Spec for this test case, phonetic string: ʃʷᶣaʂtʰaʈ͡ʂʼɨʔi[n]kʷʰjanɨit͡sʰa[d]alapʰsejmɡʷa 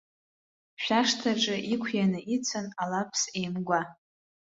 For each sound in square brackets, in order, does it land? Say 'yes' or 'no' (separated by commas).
no, no